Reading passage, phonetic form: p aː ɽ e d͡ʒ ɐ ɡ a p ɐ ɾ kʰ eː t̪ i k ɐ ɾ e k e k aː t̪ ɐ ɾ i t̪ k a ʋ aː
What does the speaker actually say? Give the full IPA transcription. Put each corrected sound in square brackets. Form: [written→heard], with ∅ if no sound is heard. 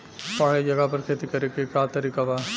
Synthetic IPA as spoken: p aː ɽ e d͡ʒ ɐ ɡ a p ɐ ɾ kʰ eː t̪ i k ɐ ɾ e k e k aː t̪ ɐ ɾ i [t̪→∅] k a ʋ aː